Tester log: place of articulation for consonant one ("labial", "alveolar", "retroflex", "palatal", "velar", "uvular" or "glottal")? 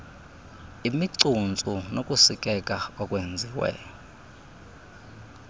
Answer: labial